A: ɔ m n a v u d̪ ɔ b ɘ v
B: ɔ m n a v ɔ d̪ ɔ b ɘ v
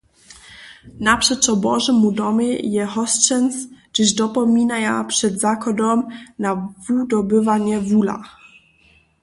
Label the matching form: A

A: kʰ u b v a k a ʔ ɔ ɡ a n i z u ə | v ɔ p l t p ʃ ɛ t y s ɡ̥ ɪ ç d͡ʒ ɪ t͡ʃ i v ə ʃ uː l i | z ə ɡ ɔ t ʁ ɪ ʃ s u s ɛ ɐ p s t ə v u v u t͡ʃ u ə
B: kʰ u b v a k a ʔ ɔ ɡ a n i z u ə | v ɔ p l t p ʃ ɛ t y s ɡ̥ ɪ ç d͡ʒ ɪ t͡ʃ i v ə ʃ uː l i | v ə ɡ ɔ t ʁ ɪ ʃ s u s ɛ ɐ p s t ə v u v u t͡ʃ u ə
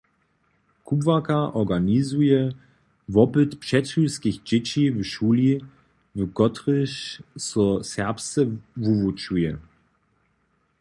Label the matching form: B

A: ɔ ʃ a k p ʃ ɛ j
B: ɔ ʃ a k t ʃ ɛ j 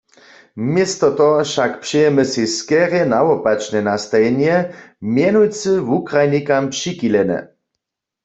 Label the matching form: A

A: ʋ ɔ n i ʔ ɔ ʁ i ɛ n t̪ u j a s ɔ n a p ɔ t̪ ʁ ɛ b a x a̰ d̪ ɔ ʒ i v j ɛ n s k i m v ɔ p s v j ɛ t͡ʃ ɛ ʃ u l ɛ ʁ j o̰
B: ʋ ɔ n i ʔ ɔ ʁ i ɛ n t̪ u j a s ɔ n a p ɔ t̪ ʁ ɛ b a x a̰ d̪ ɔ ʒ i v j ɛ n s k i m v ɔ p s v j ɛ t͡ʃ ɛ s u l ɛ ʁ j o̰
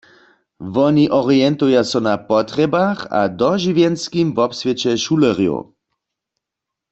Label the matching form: A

